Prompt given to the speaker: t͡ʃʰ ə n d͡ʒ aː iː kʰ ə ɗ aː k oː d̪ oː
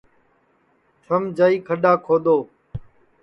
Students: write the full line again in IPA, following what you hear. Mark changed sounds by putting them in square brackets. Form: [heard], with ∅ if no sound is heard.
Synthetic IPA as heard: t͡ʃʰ ə [m] d͡ʒ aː iː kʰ ə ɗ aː [kʰ] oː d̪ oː